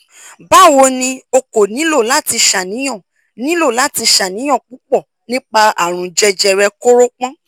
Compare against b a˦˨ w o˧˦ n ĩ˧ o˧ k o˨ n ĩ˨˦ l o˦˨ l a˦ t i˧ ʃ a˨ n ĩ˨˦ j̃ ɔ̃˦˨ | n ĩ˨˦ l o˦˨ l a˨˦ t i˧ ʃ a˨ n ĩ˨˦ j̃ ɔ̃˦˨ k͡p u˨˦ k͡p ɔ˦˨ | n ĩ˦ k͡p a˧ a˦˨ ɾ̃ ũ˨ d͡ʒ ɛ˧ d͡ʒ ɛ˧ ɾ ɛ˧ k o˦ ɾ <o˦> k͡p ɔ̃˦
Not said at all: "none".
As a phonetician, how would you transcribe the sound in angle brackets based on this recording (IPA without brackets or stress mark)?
o˦